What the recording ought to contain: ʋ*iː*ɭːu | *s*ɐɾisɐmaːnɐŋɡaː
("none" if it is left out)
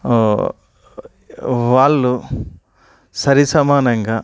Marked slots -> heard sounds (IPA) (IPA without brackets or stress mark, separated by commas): aː, s